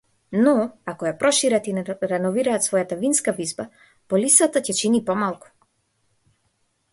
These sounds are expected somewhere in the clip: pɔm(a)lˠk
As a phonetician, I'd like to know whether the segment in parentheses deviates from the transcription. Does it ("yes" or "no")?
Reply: no